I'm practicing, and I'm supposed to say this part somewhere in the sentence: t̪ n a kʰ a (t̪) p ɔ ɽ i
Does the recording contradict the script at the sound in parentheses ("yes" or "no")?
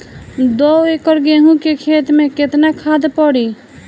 yes